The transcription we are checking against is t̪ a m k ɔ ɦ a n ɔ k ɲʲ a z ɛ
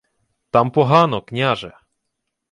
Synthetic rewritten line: t̪ a m p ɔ ɦ a n ɔ k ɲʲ a ʐ ɛ